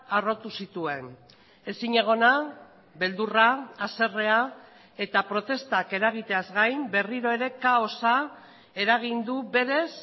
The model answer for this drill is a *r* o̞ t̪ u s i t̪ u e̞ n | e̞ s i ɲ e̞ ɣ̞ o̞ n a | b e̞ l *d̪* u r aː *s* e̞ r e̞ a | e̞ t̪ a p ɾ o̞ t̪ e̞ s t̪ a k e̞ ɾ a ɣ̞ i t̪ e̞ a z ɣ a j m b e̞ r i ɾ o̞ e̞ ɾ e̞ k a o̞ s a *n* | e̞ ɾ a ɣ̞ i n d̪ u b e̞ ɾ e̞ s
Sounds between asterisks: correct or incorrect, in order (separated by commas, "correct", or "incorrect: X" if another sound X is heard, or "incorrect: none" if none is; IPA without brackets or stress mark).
correct, correct, correct, incorrect: none